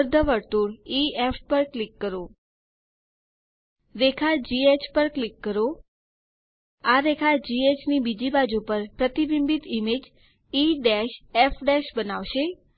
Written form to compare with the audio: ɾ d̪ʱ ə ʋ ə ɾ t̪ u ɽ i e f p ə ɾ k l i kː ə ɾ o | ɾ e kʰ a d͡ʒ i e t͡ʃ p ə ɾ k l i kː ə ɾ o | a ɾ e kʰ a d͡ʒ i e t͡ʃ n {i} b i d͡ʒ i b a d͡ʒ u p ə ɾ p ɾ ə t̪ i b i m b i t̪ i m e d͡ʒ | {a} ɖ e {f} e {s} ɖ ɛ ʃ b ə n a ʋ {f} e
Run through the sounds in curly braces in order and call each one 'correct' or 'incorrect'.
correct, incorrect: i, incorrect: ʃ, incorrect: f, incorrect: ʃ

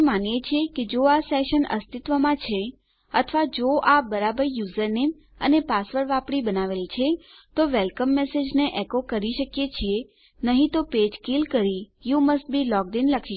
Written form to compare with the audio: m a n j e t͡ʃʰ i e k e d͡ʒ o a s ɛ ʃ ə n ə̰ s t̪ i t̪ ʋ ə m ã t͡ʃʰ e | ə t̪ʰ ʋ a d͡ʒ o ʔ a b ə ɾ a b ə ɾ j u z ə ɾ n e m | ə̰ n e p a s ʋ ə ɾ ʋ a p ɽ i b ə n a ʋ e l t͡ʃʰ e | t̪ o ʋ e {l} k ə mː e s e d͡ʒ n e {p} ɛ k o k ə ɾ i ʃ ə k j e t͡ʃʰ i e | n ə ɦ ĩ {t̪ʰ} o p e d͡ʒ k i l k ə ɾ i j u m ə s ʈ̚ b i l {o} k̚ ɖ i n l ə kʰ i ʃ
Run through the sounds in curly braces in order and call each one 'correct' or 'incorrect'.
correct, incorrect: ʔ, incorrect: t̪, incorrect: ɔ

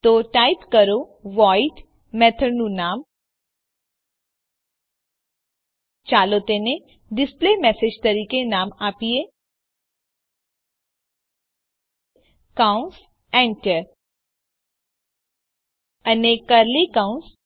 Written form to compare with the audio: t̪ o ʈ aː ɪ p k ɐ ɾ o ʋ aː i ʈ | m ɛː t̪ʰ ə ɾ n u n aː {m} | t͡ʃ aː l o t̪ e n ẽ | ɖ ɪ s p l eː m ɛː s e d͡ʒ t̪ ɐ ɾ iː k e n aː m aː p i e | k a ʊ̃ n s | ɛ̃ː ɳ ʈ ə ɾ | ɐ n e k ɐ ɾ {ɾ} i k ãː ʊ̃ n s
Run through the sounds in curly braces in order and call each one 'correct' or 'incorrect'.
correct, incorrect: l

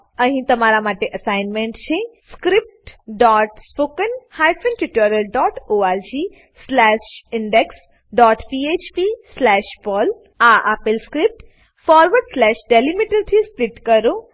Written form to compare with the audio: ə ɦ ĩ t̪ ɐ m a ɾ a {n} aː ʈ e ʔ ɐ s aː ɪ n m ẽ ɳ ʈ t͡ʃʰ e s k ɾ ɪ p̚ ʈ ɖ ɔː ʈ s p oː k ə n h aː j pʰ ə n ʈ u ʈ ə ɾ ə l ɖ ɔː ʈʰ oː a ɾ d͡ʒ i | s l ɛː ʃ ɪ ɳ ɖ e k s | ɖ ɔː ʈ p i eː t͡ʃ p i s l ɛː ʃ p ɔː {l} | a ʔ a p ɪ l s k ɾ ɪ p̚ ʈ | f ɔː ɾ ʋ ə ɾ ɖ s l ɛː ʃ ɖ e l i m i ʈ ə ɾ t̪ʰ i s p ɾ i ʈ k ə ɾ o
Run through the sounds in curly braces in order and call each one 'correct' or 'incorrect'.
incorrect: m, correct

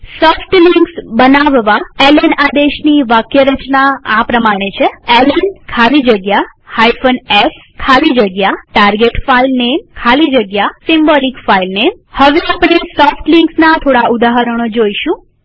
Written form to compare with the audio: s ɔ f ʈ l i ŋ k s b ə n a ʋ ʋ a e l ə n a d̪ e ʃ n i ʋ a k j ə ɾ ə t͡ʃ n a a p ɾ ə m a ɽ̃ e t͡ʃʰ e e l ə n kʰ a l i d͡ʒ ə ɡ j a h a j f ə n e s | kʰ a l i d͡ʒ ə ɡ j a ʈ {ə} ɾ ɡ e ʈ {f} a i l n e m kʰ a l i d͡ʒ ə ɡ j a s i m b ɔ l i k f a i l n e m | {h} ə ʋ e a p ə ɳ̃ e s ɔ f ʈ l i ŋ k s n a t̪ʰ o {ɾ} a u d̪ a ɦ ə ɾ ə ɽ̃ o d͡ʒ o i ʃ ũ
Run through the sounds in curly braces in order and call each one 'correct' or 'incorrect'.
incorrect: a, correct, correct, incorrect: ɽ

